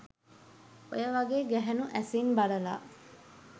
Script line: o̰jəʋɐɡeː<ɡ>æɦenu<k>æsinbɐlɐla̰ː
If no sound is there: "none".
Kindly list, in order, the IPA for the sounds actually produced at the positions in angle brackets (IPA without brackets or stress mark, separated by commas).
ɡ, ʔ